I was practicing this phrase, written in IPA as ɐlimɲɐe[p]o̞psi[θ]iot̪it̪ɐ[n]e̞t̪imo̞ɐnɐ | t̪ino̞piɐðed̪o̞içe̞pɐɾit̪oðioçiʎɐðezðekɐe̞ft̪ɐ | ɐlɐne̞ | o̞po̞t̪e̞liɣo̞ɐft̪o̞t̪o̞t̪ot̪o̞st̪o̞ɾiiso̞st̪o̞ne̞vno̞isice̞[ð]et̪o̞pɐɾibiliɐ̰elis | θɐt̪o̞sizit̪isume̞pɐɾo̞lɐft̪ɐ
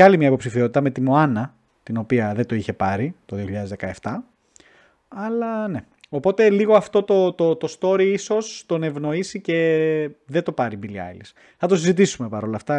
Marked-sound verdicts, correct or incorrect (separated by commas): correct, incorrect, incorrect, correct